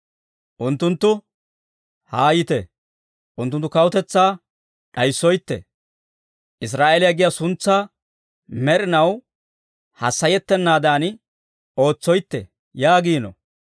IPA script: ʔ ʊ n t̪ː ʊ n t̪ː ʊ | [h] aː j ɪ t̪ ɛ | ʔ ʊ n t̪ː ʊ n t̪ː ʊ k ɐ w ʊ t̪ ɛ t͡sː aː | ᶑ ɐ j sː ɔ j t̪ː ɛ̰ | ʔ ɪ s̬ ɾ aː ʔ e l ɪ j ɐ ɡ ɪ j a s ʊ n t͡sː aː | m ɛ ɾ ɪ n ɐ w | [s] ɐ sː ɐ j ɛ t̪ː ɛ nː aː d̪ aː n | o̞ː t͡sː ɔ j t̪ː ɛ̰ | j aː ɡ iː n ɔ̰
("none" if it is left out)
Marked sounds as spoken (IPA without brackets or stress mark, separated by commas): h, h